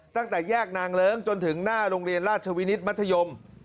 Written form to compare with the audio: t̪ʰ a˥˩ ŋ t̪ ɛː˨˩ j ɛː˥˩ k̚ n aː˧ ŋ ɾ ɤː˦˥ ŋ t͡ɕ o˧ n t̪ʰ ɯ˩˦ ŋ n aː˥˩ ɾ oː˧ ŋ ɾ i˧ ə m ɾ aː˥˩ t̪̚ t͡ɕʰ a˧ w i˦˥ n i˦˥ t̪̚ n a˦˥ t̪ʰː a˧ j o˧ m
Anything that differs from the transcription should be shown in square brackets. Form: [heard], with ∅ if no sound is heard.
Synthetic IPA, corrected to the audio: [t̪] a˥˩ ŋ t̪ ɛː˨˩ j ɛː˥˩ k̚ n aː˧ ŋ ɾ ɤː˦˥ ŋ t͡ɕ o˧ n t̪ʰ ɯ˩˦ ŋ n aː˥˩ ɾ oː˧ ŋ ɾ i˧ ə [n] ɾ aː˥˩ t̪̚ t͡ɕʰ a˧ w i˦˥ n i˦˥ t̪̚ [m] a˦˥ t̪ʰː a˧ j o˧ m